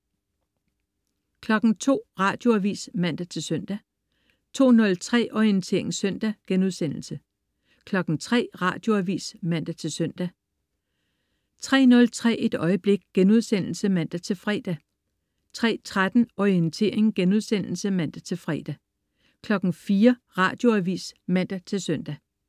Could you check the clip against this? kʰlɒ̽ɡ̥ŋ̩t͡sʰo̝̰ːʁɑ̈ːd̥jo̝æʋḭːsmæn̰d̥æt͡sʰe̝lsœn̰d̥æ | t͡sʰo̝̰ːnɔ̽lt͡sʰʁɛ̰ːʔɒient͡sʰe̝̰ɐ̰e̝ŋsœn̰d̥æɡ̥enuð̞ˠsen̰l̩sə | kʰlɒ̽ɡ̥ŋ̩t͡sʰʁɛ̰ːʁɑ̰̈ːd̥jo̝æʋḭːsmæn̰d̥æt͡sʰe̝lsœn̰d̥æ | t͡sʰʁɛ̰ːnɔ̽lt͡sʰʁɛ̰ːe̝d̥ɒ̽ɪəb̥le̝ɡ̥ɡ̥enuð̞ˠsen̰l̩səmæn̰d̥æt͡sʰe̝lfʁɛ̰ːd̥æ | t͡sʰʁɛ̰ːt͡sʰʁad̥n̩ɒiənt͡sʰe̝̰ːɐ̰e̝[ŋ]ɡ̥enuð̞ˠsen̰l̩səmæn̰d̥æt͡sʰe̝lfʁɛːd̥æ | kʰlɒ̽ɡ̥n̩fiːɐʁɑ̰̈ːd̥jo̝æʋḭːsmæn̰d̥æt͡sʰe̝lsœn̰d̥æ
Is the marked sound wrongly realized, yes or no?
no